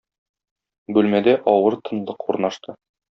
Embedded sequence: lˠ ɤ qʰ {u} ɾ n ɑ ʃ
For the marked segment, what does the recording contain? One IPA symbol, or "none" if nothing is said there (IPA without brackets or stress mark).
u